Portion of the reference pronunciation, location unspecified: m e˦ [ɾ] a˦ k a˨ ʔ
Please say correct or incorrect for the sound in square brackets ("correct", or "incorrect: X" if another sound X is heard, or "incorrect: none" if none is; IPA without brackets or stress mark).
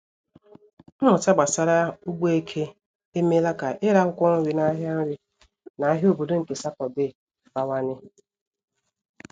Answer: incorrect: l